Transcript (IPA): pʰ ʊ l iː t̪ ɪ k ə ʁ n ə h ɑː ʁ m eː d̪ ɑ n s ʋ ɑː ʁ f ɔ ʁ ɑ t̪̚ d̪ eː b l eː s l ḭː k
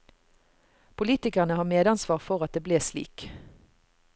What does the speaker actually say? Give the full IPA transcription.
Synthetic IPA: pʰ ʊ l iː t̪ ɪ k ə ʁ n ə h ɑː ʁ m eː d̪ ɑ n s ʋ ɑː ʁ f ɔ ʁ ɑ t̪̚ d̪ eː b l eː s l ḭː k